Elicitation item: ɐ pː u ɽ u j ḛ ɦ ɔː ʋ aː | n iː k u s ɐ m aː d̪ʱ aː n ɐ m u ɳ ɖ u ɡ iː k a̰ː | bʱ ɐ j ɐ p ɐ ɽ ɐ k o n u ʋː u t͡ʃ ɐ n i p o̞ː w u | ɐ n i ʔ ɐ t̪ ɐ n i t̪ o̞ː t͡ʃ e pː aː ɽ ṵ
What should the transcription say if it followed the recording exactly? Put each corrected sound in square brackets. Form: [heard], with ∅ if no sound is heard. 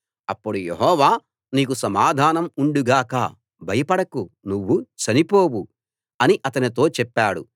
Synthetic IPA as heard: ɐ pː u ɽ u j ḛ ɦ ɔː ʋ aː | n iː k u s ɐ m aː d̪ʱ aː n ɐ m u ɳ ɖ u ɡ [aː] k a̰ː | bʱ ɐ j ɐ p ɐ ɽ ɐ k [u] n u ʋː u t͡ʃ ɐ n i p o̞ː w u | ɐ n i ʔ ɐ t̪ ɐ n i t̪ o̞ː t͡ʃ [ɛ] pː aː ɽ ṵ